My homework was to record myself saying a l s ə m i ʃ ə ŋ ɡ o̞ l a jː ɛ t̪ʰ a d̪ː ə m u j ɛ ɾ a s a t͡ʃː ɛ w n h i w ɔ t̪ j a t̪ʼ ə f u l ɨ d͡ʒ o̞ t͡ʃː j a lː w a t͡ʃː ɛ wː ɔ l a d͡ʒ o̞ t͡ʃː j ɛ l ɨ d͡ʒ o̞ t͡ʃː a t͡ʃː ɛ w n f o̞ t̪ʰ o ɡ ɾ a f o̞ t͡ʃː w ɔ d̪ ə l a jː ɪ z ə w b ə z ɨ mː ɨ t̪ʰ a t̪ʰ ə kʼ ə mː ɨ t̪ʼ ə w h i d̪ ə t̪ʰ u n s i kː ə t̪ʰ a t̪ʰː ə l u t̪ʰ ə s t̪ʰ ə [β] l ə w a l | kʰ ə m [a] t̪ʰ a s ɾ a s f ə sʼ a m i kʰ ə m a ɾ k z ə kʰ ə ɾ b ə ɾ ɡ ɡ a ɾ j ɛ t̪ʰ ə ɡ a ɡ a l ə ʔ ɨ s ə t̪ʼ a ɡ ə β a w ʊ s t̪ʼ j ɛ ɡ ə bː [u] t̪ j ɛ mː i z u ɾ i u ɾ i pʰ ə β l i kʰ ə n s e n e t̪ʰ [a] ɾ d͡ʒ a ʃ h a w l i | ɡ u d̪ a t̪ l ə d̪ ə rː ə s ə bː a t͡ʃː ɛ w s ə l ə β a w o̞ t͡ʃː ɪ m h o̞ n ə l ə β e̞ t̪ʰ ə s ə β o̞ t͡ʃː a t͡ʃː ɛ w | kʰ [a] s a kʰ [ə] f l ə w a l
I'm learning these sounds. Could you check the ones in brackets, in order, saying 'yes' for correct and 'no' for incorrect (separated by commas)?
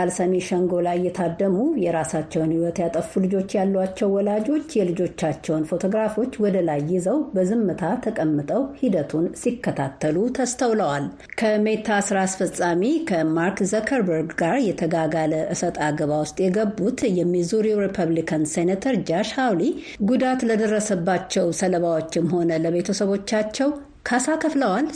no, no, yes, no, yes, yes